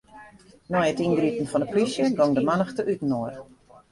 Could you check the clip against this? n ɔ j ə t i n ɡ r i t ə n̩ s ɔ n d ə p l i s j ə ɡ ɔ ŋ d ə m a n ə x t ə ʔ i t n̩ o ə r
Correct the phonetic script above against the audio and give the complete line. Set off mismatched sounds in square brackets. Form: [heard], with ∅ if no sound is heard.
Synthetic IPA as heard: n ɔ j ə t i n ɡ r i t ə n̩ [f] ɔ n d ə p l i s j ə ɡ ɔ ŋ d ə m a n ə x t ə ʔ [y] t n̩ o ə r